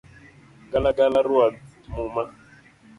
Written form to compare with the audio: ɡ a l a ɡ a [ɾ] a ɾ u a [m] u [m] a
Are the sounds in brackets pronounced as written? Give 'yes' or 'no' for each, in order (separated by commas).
no, yes, yes